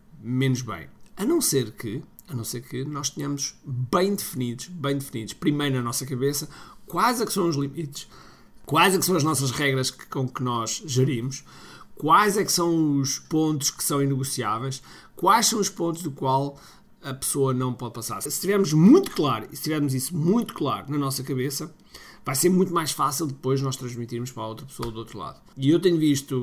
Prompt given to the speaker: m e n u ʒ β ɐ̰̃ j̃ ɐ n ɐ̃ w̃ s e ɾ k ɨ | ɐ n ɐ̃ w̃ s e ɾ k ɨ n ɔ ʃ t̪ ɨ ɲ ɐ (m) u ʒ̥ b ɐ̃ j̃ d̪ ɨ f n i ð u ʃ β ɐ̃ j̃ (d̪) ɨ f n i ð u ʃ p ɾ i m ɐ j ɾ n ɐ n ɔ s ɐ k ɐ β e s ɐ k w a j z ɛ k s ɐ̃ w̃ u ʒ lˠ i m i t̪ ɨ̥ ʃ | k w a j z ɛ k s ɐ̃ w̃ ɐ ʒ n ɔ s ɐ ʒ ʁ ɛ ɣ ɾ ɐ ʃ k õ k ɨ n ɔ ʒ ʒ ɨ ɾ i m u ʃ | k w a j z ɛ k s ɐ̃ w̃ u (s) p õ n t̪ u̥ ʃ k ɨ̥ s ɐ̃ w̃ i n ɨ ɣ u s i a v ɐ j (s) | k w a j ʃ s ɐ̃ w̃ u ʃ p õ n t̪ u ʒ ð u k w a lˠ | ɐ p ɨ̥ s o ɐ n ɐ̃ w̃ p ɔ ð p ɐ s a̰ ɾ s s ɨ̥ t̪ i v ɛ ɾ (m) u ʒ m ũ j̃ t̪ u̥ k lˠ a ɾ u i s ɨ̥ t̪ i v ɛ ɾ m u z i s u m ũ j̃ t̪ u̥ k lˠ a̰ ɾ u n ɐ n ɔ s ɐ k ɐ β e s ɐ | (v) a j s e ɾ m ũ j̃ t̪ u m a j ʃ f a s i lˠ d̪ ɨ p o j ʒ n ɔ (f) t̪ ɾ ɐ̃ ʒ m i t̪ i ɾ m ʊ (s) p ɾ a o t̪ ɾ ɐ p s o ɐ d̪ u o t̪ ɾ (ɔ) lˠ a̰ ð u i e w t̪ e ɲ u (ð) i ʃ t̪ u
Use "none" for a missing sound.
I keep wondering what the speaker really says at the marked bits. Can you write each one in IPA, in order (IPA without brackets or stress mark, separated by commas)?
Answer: m, d̪, ʃ, ʃ, m, v, ʃ, ʃ, u, v